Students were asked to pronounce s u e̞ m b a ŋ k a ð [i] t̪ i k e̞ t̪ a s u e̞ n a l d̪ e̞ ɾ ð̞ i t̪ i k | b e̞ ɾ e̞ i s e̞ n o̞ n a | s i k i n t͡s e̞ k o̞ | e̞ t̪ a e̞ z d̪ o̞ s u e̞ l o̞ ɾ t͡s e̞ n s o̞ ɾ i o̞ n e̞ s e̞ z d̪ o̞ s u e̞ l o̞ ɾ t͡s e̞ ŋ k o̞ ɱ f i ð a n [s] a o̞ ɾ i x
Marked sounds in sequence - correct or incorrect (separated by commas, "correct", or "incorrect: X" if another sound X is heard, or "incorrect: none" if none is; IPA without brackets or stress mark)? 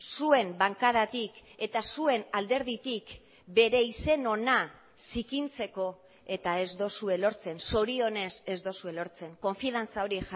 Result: incorrect: a, incorrect: t͡s